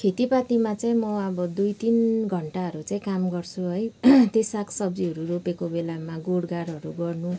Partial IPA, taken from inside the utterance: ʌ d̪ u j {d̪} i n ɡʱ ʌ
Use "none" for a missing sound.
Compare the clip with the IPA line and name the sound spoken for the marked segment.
t̪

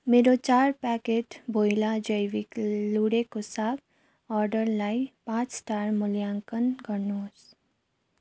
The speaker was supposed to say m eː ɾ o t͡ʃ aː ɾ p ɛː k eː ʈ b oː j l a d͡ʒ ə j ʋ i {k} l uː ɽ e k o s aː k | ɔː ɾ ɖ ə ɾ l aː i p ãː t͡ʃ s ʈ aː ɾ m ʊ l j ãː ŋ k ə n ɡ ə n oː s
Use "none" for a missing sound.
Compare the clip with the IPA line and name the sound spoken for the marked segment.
k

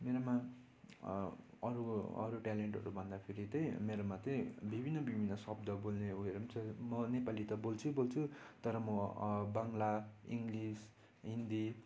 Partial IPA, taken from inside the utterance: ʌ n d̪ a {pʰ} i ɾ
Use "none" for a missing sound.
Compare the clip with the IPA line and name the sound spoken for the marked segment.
pʰ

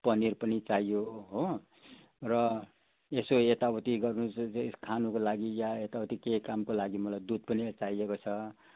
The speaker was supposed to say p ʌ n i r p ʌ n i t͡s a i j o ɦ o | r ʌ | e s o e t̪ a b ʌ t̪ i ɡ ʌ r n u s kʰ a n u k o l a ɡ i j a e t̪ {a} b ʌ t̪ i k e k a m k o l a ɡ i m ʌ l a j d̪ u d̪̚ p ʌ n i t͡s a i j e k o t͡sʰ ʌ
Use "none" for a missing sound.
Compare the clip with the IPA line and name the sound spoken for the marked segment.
a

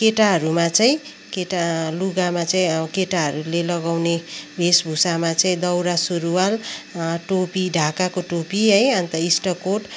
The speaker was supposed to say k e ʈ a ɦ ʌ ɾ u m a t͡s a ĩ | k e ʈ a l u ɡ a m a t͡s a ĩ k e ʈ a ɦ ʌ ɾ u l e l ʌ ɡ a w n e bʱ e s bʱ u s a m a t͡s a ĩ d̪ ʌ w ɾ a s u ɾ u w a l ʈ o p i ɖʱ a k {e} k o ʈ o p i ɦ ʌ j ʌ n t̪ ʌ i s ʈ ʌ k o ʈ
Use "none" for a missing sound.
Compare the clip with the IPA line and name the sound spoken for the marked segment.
a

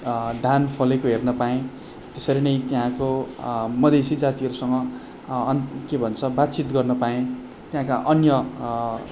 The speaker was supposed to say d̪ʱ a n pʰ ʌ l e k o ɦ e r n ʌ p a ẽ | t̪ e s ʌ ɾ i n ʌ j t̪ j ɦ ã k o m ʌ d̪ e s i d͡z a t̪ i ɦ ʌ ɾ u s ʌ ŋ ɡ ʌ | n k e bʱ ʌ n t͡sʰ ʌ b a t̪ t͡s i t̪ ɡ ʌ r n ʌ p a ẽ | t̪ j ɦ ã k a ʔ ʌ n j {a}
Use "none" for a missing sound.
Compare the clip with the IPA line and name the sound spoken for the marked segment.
ʌ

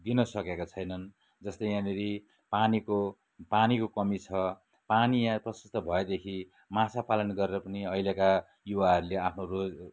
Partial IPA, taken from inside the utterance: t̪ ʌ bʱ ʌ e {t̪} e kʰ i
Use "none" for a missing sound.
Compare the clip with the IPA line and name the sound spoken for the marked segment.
d̪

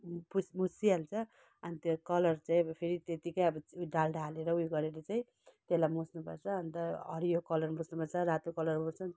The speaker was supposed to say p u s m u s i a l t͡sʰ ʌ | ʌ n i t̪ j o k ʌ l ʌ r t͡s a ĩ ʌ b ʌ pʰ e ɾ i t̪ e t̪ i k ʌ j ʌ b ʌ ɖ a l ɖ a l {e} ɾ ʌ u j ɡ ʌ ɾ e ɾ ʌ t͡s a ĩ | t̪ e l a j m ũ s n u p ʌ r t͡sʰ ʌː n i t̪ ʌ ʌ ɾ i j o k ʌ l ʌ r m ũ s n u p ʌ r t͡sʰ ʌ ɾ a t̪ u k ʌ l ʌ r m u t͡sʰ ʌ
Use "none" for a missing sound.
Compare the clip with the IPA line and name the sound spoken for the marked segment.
e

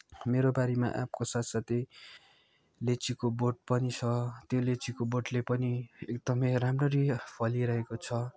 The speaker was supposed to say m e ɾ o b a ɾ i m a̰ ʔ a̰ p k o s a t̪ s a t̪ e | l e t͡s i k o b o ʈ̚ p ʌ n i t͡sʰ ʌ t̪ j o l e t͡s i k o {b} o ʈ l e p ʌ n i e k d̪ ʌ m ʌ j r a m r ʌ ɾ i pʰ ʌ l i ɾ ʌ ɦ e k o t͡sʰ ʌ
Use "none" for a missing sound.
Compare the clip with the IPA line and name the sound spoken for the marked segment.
b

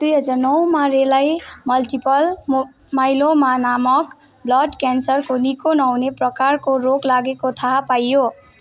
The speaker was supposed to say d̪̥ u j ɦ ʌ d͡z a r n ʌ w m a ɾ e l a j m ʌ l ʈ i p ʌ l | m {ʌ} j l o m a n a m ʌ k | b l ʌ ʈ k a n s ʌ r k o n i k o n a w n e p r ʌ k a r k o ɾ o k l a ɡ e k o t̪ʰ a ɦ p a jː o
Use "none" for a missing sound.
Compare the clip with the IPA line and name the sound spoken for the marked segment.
a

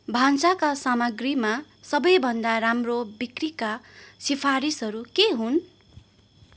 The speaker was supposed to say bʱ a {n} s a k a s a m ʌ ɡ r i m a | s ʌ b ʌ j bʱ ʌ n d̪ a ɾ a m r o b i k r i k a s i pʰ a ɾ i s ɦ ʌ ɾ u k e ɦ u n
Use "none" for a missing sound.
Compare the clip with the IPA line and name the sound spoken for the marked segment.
n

